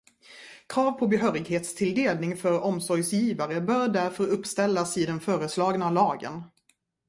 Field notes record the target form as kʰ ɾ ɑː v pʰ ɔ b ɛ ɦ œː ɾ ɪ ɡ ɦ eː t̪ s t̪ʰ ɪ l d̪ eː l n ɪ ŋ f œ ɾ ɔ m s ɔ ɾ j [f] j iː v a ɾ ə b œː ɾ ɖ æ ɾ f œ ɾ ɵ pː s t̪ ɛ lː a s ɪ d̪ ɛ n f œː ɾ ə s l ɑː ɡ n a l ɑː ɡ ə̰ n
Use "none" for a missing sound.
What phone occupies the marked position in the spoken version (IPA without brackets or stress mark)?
s